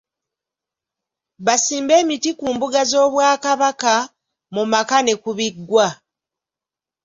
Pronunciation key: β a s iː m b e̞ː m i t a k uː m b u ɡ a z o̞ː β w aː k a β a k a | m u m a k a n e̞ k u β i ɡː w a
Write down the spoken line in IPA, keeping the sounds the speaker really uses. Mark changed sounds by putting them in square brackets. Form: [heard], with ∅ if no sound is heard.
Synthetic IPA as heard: β a s iː m b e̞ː m i t [i] k uː m b u ɡ a z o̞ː β w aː k a β a k a | m u m a k a n e̞ k u β i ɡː w a